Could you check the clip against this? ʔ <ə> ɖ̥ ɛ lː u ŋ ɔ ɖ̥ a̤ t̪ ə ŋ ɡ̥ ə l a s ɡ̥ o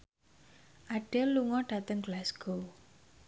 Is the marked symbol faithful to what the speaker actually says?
no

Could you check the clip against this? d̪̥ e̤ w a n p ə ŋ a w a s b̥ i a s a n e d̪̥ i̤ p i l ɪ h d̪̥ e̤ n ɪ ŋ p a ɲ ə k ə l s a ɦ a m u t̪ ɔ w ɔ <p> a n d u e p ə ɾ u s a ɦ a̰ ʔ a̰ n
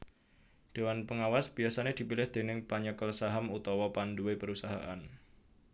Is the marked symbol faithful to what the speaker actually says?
yes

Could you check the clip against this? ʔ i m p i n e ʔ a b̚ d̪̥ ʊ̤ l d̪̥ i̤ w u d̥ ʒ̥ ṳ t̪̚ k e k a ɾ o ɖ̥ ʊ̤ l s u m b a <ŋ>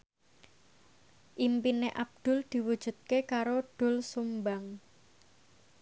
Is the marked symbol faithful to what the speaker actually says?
yes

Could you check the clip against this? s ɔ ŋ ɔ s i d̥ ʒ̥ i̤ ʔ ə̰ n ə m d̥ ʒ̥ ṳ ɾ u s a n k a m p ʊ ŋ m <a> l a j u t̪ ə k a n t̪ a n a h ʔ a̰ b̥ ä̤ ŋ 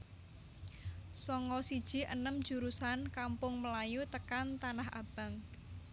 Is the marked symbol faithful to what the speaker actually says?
no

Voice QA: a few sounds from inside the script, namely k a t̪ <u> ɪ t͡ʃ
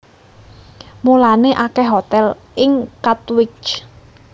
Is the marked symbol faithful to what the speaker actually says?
no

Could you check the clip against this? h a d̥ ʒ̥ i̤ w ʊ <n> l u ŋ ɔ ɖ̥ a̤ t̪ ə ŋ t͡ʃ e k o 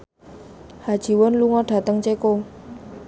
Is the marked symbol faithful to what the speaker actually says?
yes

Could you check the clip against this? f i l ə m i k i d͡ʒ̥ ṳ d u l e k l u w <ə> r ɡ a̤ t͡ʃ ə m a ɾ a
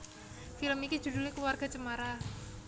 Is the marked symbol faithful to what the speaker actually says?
no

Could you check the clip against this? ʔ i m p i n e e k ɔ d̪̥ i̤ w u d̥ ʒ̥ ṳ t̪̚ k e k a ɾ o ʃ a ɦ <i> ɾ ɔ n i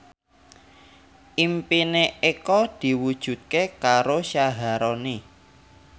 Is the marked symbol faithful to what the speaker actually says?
no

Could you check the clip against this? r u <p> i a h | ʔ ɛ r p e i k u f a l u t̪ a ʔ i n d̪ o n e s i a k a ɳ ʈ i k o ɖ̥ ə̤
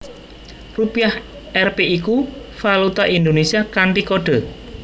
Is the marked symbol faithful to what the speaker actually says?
yes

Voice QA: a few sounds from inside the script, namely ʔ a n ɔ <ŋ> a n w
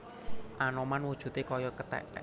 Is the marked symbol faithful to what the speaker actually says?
no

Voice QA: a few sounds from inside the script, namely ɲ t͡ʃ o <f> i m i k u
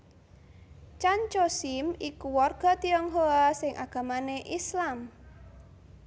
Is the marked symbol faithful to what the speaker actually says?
no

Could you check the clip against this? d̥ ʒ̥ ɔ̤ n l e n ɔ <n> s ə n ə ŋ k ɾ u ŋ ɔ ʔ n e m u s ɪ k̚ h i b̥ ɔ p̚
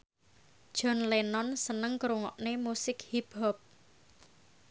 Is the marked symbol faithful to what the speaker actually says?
yes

